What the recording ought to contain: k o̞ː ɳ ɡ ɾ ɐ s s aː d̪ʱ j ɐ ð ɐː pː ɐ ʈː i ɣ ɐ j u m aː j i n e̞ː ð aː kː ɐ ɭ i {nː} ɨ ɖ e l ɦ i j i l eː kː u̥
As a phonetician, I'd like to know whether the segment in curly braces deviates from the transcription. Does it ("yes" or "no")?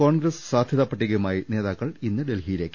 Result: no